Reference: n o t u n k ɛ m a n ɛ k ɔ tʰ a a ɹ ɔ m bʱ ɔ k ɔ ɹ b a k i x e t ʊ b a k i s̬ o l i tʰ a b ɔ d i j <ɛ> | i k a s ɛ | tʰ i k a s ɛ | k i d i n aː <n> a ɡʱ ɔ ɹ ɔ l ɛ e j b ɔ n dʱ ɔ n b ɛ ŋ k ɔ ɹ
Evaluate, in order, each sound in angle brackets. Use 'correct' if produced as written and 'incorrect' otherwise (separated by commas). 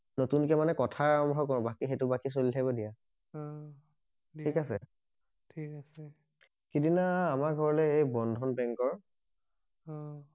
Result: incorrect, incorrect